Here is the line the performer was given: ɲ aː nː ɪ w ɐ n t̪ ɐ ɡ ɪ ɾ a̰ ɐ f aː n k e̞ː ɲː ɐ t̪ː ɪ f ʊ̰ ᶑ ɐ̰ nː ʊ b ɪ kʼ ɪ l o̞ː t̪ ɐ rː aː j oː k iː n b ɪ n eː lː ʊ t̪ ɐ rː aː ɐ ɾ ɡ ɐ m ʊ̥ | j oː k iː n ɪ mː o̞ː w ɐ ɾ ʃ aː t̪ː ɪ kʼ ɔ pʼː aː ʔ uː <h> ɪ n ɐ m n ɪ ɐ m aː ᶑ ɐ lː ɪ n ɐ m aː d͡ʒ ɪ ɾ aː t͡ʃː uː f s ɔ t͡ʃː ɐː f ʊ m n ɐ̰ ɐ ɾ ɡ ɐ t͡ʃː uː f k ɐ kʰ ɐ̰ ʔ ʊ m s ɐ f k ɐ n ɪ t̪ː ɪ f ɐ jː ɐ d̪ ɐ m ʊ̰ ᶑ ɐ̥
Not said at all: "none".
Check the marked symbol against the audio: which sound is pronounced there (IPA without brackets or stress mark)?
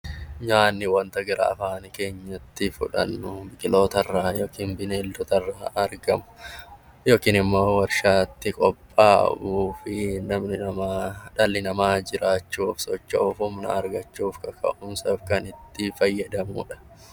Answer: f